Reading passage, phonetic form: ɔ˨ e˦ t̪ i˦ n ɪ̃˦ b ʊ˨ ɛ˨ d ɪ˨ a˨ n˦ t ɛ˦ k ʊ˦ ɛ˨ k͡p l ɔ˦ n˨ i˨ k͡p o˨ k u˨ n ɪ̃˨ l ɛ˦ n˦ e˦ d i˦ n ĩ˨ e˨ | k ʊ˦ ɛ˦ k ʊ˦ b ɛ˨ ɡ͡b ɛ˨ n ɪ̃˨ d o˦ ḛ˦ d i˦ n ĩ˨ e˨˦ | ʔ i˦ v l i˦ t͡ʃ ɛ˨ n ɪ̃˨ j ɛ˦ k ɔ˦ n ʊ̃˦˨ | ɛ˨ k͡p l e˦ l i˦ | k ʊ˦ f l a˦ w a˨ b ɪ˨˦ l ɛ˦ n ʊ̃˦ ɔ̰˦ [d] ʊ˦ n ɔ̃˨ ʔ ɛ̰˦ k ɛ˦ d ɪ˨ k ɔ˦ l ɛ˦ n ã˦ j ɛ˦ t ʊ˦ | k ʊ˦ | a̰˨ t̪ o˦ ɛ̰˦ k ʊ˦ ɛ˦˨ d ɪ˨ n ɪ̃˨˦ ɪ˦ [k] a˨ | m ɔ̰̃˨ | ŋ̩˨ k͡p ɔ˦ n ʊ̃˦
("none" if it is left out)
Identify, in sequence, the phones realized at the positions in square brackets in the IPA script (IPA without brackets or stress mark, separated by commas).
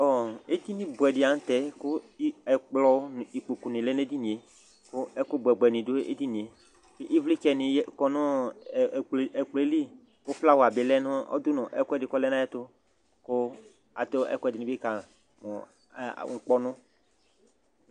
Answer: d, k